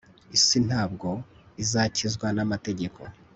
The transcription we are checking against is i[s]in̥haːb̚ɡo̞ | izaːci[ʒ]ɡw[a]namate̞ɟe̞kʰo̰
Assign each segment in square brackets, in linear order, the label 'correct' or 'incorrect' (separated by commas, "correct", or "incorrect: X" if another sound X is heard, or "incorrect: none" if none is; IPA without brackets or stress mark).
correct, incorrect: z, correct